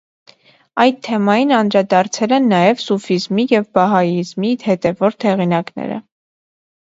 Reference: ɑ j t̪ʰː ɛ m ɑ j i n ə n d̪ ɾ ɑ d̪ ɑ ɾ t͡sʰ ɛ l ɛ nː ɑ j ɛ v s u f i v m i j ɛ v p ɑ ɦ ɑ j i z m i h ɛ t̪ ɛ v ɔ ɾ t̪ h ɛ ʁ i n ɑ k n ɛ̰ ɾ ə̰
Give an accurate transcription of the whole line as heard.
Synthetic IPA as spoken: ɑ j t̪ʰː ɛ m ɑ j i n ɑ n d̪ ɾ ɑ d̪ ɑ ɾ t͡sʰ ɛ l ɛ nː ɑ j ɛ v s u f i z m i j ɛ v b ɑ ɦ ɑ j i z m i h ɛ t̪ ɛ v ɔ ɾ t̪ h ɛ ʁ i n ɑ k n ɛ̰ ɾ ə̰